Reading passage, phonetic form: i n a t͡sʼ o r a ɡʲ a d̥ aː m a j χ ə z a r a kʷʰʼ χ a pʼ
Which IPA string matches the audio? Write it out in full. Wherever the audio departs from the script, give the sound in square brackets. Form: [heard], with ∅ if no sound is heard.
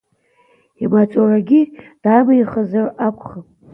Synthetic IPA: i [m] a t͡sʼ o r a ɡʲ [i] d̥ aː m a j χ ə z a r a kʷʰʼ χ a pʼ